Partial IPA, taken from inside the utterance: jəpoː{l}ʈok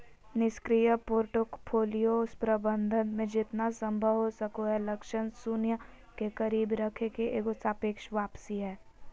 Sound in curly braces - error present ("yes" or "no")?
yes